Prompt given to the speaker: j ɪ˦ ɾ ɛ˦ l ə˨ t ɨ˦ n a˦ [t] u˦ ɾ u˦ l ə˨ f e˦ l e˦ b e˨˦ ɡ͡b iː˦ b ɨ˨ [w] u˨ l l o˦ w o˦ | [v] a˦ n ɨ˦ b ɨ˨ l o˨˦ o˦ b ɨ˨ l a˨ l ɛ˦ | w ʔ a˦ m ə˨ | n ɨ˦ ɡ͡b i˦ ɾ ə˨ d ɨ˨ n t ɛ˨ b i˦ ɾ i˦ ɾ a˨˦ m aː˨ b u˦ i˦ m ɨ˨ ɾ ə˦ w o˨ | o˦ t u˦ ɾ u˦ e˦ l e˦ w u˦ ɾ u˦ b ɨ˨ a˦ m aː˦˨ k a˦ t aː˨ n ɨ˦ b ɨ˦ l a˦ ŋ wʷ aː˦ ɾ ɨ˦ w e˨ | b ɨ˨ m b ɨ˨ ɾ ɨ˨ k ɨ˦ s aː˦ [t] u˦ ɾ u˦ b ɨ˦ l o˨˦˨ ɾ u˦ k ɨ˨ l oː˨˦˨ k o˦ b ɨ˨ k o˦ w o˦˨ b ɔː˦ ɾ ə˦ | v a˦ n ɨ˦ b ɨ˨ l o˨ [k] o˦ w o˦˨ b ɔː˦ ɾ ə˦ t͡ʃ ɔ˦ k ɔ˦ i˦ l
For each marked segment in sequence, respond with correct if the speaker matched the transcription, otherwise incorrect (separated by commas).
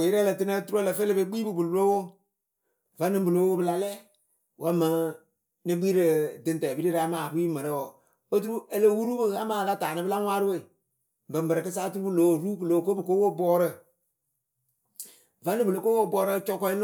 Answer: correct, incorrect, correct, correct, correct